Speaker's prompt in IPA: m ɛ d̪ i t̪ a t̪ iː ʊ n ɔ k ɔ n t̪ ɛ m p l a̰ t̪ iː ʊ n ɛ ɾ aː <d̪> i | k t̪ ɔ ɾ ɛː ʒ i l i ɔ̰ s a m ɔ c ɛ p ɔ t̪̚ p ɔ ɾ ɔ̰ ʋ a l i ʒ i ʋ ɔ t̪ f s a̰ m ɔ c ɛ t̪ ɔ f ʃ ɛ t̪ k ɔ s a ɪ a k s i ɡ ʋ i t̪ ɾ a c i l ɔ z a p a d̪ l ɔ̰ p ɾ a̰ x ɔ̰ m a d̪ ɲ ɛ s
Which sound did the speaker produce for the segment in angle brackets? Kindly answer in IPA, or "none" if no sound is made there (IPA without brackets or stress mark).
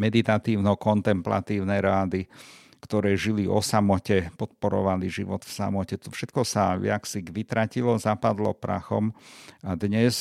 d̪